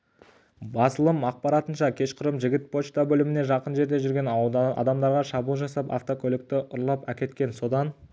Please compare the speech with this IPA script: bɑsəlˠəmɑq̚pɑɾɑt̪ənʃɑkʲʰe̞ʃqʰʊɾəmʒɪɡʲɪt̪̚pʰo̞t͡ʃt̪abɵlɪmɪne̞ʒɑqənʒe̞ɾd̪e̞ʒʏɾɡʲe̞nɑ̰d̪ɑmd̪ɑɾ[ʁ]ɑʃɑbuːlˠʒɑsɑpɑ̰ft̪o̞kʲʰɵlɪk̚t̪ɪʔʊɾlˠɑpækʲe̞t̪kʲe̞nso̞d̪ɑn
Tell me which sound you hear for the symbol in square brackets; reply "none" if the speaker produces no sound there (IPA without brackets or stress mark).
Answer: ʁ